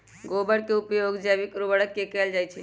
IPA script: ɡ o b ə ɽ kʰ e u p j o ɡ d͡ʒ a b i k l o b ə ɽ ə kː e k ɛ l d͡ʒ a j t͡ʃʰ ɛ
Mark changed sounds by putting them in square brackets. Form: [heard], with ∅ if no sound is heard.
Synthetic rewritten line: ɡ o b ə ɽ [k] e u p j o ɡ d͡ʒ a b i k [ɾ] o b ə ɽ ə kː e k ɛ l d͡ʒ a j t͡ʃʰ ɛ